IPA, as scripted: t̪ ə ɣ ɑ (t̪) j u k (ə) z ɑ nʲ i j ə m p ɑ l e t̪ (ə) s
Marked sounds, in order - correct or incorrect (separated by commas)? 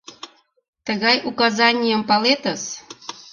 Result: incorrect, incorrect, correct